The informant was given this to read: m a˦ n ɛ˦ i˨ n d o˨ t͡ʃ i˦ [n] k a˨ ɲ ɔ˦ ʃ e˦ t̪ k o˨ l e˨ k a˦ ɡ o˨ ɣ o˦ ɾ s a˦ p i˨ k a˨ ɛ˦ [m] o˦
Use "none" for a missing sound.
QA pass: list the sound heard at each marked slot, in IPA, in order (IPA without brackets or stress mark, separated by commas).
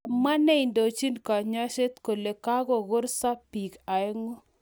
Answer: n, ŋ